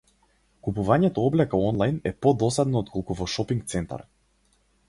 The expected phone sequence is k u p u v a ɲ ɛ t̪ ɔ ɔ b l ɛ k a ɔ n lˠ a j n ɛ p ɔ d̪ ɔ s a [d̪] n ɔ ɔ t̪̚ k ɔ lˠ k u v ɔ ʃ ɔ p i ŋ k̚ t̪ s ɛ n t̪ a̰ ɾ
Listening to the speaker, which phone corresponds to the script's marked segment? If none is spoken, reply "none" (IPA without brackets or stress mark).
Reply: d̪